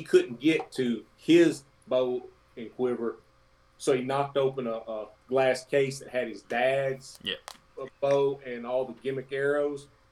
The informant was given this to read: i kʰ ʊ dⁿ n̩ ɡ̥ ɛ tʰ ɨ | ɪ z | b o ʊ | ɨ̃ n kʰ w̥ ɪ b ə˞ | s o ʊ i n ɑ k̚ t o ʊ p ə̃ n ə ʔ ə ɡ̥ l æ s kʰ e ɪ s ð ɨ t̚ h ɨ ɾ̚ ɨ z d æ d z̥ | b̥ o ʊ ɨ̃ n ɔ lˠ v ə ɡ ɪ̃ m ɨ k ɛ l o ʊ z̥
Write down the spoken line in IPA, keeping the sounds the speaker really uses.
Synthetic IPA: i kʰ ʊ dⁿ n̩ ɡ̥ ɛ tʰ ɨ | ɪ z | b o ʊ | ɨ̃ n kʰ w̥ ɪ v ə˞ | s o ʊ i n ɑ k̚ t o ʊ p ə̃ n ə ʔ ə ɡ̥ l æ s kʰ e ɪ s ð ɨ t̚ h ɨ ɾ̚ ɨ z d æ d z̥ | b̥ o ʊ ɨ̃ n ɔ lˠ ð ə ɡ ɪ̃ m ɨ k ɛ ɹ o ʊ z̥